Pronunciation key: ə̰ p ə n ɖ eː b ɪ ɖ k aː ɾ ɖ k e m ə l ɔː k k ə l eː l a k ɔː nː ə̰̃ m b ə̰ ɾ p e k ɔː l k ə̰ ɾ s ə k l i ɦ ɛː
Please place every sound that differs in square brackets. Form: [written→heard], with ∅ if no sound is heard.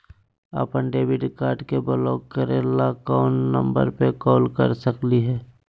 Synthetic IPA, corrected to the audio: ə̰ p ə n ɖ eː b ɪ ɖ k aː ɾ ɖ k e [m→b] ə l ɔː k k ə [l→ɾ] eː l a k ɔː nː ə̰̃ m b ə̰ ɾ p e k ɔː l k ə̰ ɾ s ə k l i ɦ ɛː